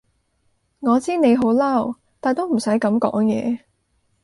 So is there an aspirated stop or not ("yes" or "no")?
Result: no